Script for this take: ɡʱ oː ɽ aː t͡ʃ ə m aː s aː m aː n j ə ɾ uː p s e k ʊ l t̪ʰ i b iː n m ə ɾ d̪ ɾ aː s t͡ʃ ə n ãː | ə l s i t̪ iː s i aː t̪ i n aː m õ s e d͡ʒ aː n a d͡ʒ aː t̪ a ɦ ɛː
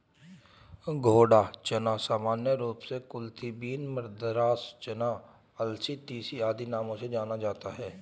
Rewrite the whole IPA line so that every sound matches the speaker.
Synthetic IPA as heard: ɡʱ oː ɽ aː t͡ʃ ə n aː s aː m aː n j ə ɾ uː p s e k ʊ l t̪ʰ i b iː n m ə ɾ d̪ ɾ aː s t͡ʃ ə n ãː | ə l s i t̪ iː s i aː d̪ i n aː m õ s e d͡ʒ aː n a d͡ʒ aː t̪ a ɦ ɛː

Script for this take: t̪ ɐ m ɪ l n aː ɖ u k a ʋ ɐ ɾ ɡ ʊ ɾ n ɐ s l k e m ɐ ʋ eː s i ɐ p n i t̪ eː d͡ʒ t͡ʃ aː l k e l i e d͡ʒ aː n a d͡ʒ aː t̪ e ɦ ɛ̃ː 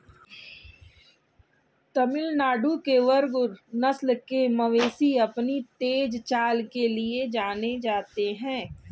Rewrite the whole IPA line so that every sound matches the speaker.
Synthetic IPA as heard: t̪ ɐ m ɪ l n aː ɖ u k e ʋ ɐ ɾ ɡ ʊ ɾ n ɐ s l k e m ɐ ʋ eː s i ɐ p n i t̪ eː d͡ʒ t͡ʃ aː l k e l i e d͡ʒ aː n e d͡ʒ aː t̪ e ɦ ɛ̃ː

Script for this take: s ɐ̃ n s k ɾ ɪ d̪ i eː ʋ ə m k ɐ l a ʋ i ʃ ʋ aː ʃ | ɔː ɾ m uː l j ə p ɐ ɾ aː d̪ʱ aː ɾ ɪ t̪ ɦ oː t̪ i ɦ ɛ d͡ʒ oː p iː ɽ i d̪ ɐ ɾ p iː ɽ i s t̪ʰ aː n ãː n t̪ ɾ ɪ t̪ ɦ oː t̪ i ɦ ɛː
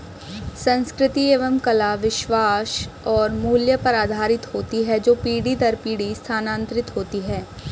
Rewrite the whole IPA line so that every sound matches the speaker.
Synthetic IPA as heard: s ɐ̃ n s k ɾ ɪ t̪ i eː ʋ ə m k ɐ l a ʋ ɪ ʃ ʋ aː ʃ | ɔː ɾ m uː l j ə p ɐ ɾ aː d̪ʱ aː ɾ ɪ t̪ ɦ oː t̪ i ɦ ɛ d͡ʒ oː p iː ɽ i d̪ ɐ ɾ p iː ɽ i s t̪ʰ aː n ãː n t̪ ɾ ɪ t̪ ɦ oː t̪ i ɦ ɛː

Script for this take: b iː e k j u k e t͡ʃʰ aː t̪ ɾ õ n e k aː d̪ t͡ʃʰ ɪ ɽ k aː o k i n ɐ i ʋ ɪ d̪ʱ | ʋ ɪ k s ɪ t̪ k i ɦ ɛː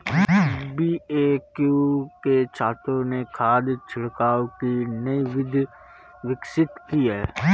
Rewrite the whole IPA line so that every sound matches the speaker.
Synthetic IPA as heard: b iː e k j u k e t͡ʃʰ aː t̪ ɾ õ n e kʰ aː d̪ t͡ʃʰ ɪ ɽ k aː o k i n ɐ i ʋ ɪ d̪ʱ | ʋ ɪ k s ɪ t̪ k i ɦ ɛː

